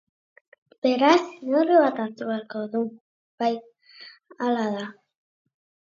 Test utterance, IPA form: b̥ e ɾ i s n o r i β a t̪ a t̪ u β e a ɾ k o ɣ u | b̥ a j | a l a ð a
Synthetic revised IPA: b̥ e ɾ a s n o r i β a t̪ a t̪ u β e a ɾ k o ð u | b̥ a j | a l a ð a